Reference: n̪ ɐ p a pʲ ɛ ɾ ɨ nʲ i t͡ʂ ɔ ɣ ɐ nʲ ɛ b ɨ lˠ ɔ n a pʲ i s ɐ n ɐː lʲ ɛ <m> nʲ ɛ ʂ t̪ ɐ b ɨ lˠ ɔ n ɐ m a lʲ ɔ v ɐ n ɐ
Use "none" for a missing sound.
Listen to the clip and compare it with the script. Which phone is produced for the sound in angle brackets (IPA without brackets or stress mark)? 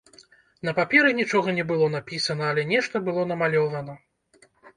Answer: none